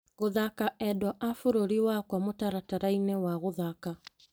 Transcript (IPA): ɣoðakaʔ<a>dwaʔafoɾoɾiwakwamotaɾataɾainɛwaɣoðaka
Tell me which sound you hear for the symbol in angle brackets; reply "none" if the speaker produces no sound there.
ɛ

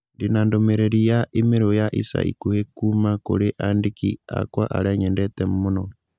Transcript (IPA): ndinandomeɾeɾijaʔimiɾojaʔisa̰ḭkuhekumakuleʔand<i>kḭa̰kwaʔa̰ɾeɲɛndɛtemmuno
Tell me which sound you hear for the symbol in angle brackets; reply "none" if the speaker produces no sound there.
i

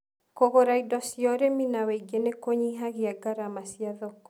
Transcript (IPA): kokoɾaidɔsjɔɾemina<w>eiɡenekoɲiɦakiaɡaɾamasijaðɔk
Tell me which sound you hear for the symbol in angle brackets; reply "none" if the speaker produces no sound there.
w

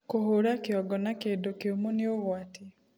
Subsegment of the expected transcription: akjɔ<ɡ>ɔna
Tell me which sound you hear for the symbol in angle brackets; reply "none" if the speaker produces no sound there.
ɡ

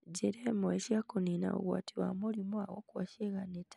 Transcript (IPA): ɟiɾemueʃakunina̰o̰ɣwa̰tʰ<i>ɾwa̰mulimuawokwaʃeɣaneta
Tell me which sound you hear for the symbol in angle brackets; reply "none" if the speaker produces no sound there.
i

